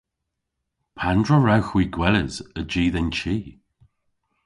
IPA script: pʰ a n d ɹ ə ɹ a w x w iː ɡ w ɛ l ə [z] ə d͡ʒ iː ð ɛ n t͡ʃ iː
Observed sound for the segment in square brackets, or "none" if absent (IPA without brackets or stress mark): z